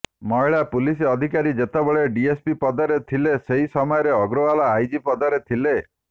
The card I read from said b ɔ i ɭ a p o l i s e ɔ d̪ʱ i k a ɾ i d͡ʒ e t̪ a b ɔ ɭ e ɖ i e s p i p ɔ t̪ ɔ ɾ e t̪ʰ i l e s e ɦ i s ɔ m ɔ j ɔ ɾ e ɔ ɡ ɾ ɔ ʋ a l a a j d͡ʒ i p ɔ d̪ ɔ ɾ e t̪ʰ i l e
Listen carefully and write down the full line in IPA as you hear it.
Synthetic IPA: m ɔ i ɭ a p u l i s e ɔ d̪ʱ i k a ɾ i d͡ʒ e t̪ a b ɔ ɭ e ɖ i e s p i p ɔ d̪ ɔ ɾ e t̪ʰ i l e s e ɦ i s ɔ m ɔ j ɔ ɾ e ɔ ɡ ɾ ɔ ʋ a l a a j d͡ʒ i p ɔ d̪ ɔ ɾ e t̪ʰ i l e